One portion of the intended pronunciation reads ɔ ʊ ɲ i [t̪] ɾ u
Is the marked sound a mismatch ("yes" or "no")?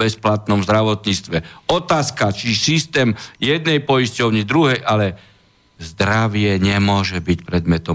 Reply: yes